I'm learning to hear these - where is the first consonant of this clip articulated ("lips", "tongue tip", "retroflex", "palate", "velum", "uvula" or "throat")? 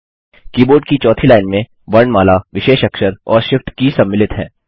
velum